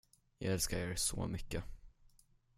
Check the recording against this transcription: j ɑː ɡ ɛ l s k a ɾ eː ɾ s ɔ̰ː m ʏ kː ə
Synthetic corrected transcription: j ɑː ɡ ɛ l s k a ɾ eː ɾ s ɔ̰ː m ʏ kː ə